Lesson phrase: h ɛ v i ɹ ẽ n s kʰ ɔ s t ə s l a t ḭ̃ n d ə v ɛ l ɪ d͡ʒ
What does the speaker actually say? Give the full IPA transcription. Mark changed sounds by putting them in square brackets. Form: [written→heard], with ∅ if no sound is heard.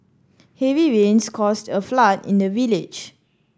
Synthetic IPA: h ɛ v i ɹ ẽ n s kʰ ɔ s t ə [s→f] l a t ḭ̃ n d ə v [ɛ→i] l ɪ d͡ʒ